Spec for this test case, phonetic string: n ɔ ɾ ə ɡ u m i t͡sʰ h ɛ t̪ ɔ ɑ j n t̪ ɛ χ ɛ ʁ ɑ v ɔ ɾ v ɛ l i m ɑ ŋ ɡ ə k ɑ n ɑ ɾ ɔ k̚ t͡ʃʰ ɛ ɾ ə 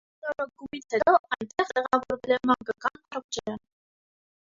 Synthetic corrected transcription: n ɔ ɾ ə ɡ u m i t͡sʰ h ɛ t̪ ɔ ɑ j n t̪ ɛ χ ɛ ʁ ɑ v ɔ ɾ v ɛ l ɛ m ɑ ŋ ɡ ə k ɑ n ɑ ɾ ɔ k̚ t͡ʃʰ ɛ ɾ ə